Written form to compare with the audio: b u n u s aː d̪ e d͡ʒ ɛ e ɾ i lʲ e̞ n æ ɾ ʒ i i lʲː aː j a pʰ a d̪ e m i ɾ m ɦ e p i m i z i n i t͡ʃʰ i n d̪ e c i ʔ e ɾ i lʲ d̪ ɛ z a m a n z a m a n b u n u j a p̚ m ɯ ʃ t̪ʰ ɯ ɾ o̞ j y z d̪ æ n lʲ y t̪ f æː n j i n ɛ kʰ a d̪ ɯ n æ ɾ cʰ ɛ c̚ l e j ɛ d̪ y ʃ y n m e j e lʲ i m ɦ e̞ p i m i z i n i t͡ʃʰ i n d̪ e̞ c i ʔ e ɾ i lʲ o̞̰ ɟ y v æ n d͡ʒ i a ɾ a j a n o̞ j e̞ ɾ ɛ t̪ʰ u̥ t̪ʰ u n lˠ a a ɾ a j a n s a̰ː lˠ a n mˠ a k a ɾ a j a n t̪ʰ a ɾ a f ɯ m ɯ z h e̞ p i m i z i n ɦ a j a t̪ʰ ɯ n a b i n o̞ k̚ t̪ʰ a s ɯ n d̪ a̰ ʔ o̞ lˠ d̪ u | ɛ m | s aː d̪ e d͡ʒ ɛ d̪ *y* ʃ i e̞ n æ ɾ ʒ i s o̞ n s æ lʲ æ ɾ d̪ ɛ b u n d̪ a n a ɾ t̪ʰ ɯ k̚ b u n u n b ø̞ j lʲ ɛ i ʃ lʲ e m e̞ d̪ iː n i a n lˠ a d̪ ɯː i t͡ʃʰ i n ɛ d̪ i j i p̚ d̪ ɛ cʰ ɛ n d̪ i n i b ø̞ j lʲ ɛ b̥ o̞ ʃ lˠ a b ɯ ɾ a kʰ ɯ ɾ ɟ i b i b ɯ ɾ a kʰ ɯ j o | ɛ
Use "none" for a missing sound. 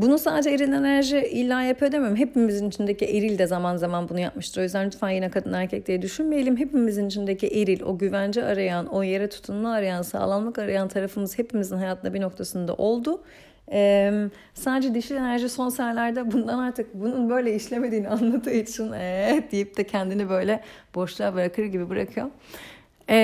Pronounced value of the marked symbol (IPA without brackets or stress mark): i